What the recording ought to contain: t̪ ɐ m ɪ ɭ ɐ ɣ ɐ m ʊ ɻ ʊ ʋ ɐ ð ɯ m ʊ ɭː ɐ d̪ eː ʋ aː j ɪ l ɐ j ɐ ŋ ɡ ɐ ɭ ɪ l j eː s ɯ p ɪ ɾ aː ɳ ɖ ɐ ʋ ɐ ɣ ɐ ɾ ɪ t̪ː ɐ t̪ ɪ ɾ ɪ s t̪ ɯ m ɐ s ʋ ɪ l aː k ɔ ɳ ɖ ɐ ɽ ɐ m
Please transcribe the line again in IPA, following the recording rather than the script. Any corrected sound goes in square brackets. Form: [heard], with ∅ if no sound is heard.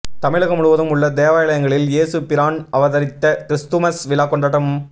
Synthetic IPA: t̪ ɐ m ɪ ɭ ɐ ɣ ɐ m ʊ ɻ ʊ ʋ ɐ ð ɯ m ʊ ɭː ɐ d̪ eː ʋ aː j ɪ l ɐ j ɐ ŋ ɡ ɐ ɭ ɪ l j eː s ɯ p ɪ ɾ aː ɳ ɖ ɐ ʋ ɐ [ð] ɐ ɾ ɪ t̪ː ɐ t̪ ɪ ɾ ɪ s t̪ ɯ m ɐ s ʋ ɪ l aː k ɔ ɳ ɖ ɐ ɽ ɐ m

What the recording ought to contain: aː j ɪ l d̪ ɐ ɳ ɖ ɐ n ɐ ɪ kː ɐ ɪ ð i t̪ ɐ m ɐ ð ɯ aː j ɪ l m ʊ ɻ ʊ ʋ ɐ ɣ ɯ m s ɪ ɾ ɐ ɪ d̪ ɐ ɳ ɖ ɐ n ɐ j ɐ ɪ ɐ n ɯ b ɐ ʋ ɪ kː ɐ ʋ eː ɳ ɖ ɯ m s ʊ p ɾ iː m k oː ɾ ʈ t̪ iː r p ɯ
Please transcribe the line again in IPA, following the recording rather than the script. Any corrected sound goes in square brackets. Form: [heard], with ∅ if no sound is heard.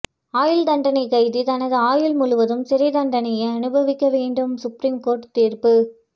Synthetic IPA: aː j ɪ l d̪ ɐ ɳ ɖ ɐ n ɐ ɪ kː ɐ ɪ ð i t̪ ɐ [n] ɐ ð ɯ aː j ɪ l m ʊ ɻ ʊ ʋ ɐ [ð] ɯ m s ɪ ɾ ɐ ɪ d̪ ɐ ɳ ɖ ɐ n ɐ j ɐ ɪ ɐ n ɯ b ɐ ʋ ɪ kː ɐ ʋ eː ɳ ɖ ɯ m s ʊ p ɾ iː m k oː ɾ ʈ t̪ iː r p ɯ

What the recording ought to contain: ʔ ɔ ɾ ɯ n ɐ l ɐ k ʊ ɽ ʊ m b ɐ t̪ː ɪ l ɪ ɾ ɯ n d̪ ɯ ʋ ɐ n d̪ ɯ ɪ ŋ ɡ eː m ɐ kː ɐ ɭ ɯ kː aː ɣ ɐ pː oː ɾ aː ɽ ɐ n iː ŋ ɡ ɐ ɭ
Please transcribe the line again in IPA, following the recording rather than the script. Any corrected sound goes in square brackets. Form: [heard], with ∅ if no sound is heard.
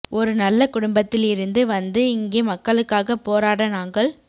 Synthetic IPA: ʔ ɔ ɾ ɯ n ɐ [lː] ɐ k ʊ ɽ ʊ m b ɐ t̪ː ɪ l ɪ ɾ ɯ n d̪ ɯ ʋ ɐ n d̪ ɯ ɪ ŋ ɡ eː m ɐ kː ɐ ɭ ɯ kː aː ɣ ɐ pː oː ɾ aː ɽ ɐ n [aː] ŋ ɡ ɐ ɭ

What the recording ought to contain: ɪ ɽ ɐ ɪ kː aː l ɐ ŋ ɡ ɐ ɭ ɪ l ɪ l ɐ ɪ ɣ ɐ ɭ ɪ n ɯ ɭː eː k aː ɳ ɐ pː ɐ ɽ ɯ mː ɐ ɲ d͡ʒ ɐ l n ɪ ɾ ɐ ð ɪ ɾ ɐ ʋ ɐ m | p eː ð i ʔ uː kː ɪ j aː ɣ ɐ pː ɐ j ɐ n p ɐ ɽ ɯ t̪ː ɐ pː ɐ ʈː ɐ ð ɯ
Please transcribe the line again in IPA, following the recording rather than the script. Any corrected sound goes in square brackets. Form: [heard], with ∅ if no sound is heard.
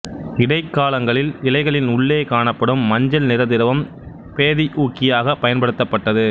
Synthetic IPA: ɪ ɽ ɐ ɪ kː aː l ɐ ŋ ɡ ɐ ɭ ɪ l ɪ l ɐ ɪ ɣ ɐ ɭ ɪ n [ʊ] ɭː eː k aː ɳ ɐ pː ɐ ɽ ɯ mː ɐ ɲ d͡ʒ ɐ l n ɪ ɾ ɐ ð ɪ ɾ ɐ ʋ ɐ m | p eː ð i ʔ uː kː ɪ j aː ɣ ɐ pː ɐ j ɐ n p ɐ ɽ ɯ t̪ː ɐ pː ɐ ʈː ɐ ð ɯ

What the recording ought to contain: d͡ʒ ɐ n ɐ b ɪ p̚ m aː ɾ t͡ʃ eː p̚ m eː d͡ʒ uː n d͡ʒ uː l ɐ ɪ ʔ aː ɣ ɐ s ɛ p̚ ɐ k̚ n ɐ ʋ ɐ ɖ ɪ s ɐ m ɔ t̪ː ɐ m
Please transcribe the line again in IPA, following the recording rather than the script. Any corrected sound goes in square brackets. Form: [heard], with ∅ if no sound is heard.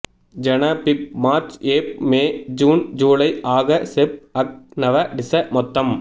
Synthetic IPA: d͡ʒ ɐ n ɐ [p] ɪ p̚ m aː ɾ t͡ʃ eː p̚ m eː d͡ʒ uː n d͡ʒ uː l ɐ ɪ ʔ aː ɣ ɐ s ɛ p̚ ɐ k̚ n ɐ ʋ ɐ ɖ ɪ s ɐ m ɔ t̪ː ɐ m

